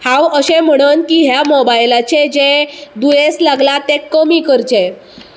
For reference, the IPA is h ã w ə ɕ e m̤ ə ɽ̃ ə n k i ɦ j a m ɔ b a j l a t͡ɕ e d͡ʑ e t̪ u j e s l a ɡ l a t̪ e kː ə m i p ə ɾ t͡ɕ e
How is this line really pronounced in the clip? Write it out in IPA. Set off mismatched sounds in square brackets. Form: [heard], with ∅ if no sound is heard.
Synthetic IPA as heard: h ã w ə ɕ e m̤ ə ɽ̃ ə n k i ɦ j a m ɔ b a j l a t͡ɕ e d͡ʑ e [d̪] u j e s l a ɡ l a t̪ e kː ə m i [k] ə ɾ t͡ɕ e